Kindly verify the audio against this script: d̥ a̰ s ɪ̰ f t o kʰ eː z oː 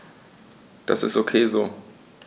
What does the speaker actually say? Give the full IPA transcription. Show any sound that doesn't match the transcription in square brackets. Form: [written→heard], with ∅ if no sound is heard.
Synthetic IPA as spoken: d̥ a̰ s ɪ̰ [f→s] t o kʰ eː z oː

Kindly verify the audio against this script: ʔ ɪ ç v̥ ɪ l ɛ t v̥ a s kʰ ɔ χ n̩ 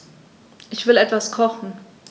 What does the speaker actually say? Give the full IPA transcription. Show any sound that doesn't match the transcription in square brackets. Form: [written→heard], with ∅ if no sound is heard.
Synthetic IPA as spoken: ʔ ɪ ç v̥ ɪ l ɛ t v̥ a s kʰ ɔ χ n̩

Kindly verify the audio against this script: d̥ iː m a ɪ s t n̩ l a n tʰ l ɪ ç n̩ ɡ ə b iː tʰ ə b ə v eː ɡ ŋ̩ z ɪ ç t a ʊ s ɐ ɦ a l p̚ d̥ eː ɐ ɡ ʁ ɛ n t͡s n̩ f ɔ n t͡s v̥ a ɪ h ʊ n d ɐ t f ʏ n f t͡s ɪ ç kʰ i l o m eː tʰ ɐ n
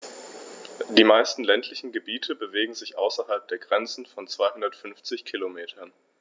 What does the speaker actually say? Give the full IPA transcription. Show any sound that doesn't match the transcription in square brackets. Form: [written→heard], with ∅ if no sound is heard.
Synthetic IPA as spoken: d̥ iː m a ɪ s t n̩ l [a→ɛ] n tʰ l ɪ ç n̩ ɡ ə b iː tʰ ə b ə v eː ɡ ŋ̩ z ɪ ç [t→ʔ] a ʊ s ɐ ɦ a l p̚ d̥ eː ɐ ɡ ʁ ɛ n t͡s n̩ f ɔ n t͡s v̥ a ɪ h ʊ n d ɐ t f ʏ n f t͡s ɪ ç kʰ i l o m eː tʰ ɐ n

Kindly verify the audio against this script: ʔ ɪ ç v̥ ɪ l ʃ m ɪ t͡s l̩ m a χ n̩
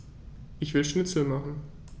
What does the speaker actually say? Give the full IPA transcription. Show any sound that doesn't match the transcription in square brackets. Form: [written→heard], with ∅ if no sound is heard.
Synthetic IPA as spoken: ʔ ɪ ç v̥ ɪ l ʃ [m→n] ɪ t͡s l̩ m a χ n̩

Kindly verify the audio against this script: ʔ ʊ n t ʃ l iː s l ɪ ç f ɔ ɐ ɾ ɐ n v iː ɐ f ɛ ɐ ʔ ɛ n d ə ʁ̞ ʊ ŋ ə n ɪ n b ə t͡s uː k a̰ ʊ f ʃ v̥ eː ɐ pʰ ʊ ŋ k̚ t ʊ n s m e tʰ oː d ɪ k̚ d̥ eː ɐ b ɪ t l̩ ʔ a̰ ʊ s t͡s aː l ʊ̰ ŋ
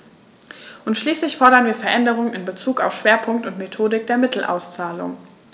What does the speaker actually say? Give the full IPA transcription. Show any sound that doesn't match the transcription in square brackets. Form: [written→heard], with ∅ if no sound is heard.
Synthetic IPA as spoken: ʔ ʊ n t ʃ l iː s l ɪ ç f ɔ ɐ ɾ ɐ n v iː ɐ f ɛ ɐ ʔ ɛ n d ə ʁ̞ ʊ ŋ ə n ɪ n b ə t͡s uː k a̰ ʊ f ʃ v̥ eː ɐ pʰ ʊ ŋ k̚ t ʊ n [s→t] m e tʰ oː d ɪ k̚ d̥ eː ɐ [b→m] ɪ t l̩ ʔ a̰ ʊ s t͡s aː l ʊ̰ ŋ

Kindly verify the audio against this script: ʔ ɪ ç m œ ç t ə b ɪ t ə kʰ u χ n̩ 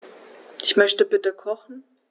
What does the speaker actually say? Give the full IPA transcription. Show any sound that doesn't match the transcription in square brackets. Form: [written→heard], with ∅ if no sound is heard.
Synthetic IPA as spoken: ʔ ɪ ç m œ ç t ə b ɪ t ə kʰ [u→ɔ] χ n̩

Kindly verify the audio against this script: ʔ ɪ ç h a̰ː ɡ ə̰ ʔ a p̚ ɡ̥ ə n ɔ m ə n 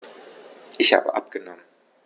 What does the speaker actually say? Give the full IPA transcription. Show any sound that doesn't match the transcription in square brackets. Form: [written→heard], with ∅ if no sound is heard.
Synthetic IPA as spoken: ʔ ɪ ç h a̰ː [ɡ→b] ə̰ ʔ a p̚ ɡ̥ ə n ɔ m ə n

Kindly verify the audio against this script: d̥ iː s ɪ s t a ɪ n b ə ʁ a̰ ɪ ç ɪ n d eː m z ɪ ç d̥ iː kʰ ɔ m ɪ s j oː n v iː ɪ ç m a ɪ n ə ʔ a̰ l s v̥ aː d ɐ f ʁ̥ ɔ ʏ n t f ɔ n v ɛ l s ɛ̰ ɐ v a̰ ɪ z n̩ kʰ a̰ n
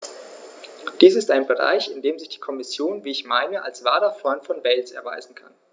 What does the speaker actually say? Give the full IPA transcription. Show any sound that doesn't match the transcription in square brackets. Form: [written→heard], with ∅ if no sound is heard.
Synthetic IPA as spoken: d̥ iː s ɪ s t a ɪ n b ə ʁ a̰ ɪ ç ɪ n d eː m z ɪ ç d̥ iː kʰ ɔ m ɪ s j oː n v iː ɪ ç m a ɪ n ə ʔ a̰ l s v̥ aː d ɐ f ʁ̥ ɔ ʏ n t f ɔ n v ɛ l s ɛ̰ ɐ v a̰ ɪ z n̩ kʰ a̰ n

